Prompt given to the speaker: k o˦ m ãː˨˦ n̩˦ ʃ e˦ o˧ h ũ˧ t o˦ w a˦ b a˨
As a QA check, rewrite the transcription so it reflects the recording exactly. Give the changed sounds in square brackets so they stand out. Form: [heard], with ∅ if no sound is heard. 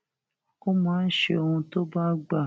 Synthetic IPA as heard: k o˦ m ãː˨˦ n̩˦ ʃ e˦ o˧ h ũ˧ t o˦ [b] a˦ [ɡ͡b] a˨